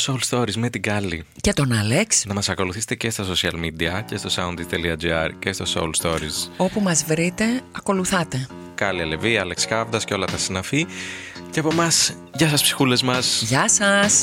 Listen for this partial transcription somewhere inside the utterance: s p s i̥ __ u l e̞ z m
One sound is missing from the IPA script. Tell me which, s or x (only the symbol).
x